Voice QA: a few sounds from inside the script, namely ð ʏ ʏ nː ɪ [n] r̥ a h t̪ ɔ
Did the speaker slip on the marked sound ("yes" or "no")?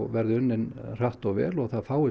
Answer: no